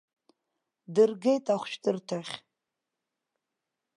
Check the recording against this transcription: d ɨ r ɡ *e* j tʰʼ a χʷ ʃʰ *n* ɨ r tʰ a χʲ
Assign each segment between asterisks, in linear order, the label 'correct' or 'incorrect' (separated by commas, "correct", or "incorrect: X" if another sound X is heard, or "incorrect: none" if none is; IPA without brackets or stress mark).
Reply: correct, incorrect: d